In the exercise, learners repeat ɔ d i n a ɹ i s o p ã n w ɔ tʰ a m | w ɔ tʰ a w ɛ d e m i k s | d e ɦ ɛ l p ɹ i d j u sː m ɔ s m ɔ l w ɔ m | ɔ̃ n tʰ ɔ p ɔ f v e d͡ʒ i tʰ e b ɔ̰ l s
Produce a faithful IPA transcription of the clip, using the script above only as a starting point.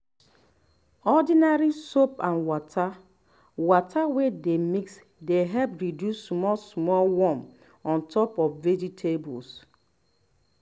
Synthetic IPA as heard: ɔ d i n a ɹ i s o p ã n w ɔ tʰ a | w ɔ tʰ a w e d e m i k s | d e ɦ ɛ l p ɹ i d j u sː m ɔ s m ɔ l w ɔ m | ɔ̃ n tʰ ɔ p ɔ f v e d͡ʒ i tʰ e b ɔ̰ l s